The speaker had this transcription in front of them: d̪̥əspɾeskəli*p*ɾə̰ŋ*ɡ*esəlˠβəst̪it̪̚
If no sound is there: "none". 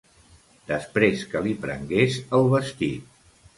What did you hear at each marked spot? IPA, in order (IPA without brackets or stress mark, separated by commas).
p, ɡ